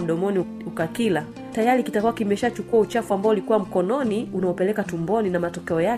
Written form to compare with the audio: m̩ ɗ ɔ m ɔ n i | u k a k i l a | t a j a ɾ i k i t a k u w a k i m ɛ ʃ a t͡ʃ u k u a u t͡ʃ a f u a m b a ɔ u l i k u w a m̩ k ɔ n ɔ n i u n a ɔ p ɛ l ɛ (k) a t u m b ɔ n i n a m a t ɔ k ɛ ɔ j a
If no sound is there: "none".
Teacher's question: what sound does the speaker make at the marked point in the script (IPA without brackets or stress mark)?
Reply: k